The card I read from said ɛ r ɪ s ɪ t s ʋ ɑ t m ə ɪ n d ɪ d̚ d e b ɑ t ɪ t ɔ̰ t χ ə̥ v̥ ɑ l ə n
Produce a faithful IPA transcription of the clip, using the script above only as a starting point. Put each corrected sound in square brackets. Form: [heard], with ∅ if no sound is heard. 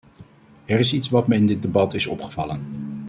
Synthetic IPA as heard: ɛ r ɪ s [i] t s ʋ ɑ t m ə ɪ n d ɪ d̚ d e b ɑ t ɪ [s] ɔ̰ [p] χ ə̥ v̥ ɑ l ə n